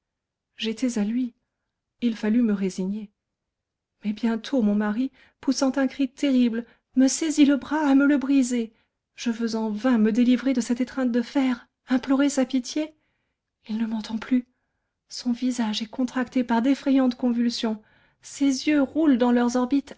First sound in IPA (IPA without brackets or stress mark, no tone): ʒ